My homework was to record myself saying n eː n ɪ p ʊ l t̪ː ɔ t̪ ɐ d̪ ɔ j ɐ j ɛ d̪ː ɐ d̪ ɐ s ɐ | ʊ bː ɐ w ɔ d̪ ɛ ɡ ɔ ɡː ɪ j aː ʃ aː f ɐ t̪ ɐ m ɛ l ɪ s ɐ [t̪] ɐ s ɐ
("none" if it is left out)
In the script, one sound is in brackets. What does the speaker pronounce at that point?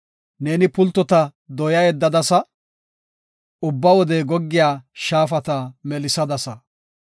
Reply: d̪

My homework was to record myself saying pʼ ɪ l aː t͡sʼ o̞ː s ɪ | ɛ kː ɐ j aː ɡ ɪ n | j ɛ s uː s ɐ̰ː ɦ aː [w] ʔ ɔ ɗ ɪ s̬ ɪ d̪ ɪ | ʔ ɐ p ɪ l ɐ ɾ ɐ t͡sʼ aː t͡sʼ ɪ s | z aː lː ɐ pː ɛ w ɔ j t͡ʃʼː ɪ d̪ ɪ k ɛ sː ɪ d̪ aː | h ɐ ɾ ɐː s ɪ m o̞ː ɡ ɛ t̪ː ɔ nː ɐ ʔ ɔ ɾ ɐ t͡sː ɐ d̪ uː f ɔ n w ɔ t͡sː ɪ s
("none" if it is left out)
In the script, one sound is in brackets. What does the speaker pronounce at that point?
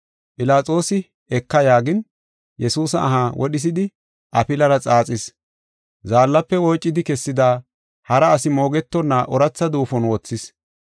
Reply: w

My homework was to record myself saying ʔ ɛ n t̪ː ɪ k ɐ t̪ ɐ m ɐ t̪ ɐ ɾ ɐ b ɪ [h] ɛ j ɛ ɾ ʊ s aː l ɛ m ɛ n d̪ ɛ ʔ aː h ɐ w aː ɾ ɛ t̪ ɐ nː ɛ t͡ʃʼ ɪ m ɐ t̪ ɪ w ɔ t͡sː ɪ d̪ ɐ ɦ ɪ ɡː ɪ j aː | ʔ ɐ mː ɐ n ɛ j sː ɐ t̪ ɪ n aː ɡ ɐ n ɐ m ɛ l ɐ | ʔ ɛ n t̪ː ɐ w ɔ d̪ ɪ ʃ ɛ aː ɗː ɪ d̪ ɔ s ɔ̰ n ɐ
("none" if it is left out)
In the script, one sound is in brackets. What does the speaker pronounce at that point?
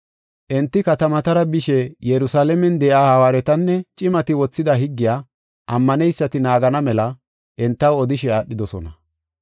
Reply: ʃ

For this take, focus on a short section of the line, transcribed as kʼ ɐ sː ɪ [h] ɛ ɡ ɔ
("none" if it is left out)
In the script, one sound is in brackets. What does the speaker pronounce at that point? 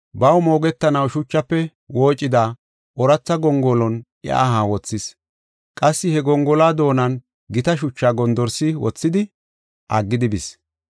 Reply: h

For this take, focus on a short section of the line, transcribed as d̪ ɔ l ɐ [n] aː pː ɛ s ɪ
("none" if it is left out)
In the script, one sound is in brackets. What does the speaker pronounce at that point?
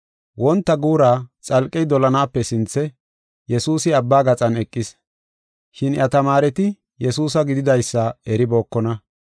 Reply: n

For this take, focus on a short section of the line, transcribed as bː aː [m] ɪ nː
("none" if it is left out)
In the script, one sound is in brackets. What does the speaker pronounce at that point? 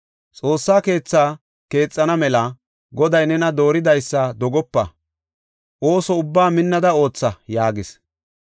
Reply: m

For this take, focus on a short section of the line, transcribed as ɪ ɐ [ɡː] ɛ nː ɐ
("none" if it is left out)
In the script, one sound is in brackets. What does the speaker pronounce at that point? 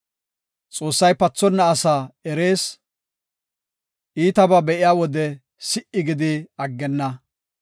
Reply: ɡː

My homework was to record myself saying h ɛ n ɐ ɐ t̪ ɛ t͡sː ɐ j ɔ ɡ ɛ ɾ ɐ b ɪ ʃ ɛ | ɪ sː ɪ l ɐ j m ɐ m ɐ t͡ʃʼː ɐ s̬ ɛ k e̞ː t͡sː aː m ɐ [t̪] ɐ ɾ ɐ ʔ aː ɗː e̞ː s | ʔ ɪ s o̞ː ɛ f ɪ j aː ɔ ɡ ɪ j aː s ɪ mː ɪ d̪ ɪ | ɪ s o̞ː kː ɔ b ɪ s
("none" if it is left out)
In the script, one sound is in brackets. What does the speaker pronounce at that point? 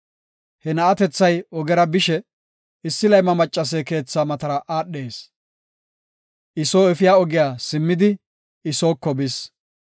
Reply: t̪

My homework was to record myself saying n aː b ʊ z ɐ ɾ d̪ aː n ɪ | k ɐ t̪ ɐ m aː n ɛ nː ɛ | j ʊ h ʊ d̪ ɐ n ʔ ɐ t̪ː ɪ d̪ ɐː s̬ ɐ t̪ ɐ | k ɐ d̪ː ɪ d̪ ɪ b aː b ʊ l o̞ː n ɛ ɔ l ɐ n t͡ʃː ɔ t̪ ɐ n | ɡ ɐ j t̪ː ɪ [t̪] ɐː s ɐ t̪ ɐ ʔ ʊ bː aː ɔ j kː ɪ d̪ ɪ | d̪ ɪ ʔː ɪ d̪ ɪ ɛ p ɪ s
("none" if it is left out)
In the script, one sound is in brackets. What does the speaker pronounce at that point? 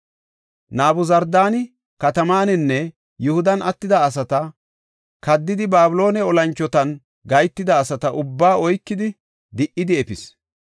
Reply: d̪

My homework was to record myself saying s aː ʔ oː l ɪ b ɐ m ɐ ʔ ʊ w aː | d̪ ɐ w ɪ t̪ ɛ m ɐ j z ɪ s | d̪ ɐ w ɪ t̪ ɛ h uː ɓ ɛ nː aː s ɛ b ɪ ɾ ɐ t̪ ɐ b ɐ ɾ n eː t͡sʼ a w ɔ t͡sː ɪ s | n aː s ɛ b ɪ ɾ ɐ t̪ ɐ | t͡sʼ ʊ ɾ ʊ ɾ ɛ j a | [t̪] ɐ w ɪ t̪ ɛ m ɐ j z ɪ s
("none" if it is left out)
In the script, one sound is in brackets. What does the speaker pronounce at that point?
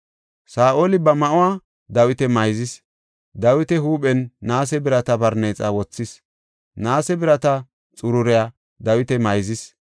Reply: d̪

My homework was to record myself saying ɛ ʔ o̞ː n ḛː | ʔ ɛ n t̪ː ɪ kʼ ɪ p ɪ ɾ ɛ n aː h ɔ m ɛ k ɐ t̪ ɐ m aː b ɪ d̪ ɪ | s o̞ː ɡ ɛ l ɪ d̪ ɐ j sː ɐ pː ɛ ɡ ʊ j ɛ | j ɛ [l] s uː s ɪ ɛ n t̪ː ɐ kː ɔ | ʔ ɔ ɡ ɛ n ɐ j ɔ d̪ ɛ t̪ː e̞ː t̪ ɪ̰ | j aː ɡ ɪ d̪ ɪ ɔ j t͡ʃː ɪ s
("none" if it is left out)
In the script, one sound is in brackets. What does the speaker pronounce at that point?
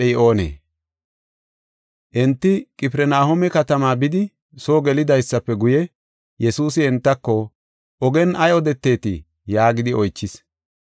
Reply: none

